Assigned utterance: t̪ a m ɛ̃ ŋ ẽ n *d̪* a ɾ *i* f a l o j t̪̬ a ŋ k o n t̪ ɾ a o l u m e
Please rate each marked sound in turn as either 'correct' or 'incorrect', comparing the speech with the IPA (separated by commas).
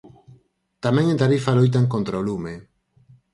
incorrect, correct